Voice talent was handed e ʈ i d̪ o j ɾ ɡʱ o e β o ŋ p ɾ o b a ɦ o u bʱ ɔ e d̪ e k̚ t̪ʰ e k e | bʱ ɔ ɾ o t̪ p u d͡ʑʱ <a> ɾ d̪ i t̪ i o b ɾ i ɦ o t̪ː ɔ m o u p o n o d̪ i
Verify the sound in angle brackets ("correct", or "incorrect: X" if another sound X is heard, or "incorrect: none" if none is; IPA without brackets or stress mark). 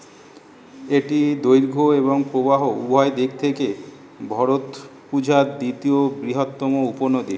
correct